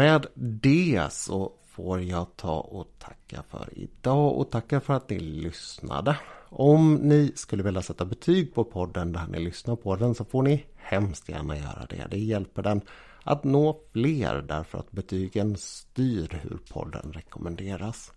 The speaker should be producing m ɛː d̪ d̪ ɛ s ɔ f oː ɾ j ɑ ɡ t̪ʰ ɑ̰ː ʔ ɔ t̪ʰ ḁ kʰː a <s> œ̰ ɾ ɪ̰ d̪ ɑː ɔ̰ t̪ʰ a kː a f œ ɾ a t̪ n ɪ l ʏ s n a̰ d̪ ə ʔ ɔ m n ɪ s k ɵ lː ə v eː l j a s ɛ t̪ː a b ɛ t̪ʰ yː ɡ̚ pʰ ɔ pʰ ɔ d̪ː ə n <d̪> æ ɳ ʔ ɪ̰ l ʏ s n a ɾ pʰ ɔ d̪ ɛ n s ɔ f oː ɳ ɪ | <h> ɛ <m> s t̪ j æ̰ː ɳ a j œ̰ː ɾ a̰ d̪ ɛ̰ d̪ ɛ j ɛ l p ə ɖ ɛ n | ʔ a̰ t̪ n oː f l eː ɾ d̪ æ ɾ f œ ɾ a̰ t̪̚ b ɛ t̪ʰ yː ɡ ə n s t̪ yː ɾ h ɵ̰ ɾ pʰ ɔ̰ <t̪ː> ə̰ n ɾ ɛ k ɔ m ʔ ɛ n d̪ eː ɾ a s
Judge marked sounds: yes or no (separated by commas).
no, yes, yes, yes, no